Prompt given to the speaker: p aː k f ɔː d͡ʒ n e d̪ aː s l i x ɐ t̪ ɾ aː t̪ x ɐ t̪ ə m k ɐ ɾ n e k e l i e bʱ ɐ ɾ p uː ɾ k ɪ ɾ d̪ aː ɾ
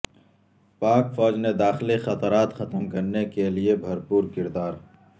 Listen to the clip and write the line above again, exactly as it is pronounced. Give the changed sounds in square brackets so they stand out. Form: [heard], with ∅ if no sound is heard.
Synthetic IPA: p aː k f ɔː d͡ʒ n e d̪ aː [x] l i x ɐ t̪ ɾ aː t̪ x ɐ t̪ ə m k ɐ ɾ n e k e l i e bʱ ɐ ɾ p uː ɾ k ɪ ɾ d̪ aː ɾ